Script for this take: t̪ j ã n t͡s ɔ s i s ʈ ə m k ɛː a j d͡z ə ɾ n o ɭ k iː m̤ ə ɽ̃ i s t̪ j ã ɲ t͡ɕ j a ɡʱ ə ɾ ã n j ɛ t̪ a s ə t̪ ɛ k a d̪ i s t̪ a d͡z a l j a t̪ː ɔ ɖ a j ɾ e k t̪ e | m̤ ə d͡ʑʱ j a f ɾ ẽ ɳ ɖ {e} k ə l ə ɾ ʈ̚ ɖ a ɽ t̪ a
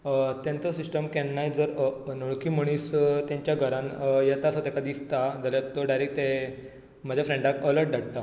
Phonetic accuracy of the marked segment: incorrect: a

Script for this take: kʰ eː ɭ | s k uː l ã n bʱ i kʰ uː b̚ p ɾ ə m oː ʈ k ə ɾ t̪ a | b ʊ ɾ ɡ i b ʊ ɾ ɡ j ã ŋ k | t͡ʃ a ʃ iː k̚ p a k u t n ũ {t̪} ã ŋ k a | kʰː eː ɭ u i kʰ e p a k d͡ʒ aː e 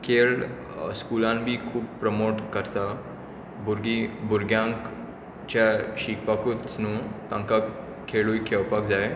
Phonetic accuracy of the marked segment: correct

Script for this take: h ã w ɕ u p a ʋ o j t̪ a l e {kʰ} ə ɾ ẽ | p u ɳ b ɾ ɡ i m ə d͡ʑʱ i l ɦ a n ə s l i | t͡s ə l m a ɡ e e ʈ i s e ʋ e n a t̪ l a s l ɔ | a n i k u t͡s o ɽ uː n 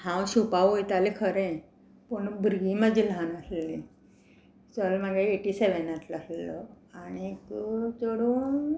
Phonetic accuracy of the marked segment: correct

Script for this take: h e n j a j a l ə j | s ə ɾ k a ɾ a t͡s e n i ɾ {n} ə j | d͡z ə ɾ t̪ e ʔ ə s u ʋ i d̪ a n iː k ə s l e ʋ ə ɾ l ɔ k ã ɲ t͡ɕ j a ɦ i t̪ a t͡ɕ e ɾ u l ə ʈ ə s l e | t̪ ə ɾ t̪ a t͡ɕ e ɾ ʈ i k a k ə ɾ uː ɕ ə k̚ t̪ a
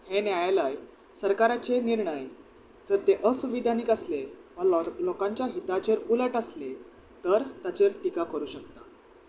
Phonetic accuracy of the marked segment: incorrect: ɳ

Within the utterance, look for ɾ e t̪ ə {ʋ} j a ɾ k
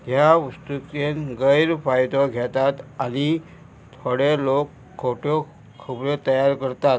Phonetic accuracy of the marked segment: incorrect: none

